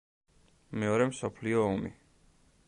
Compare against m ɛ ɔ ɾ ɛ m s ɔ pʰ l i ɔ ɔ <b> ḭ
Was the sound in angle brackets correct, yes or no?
no